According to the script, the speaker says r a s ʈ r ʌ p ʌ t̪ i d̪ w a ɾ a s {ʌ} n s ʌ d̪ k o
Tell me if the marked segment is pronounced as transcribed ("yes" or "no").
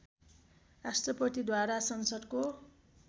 yes